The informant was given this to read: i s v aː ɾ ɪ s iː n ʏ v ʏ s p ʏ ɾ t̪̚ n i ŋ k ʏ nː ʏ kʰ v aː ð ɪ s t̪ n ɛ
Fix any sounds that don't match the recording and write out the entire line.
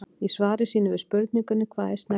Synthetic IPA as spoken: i s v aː ɾ ɪ s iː n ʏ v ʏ s p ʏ ɾ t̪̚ n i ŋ k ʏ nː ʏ kʰ v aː ð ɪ s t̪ n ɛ